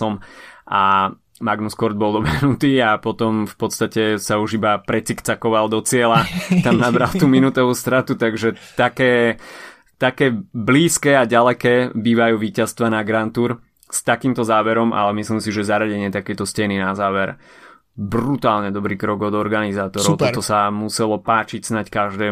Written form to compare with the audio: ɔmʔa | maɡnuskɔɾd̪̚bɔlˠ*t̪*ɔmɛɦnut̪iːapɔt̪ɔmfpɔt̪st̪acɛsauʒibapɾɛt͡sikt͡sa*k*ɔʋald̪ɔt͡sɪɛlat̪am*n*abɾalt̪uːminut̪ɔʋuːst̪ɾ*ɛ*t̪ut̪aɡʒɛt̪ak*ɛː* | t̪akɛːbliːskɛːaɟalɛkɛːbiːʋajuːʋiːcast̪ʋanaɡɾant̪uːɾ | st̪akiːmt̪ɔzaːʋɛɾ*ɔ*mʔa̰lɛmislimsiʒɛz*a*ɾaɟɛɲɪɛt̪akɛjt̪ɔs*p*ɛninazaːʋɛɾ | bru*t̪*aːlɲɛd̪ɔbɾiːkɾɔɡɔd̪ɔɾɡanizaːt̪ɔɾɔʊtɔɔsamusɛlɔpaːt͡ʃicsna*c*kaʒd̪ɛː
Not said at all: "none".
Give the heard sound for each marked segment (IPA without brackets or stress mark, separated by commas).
d̪, k, n, a, ɛː, ɔ, a, c, t̪, c